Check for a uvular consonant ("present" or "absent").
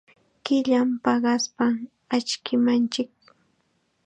present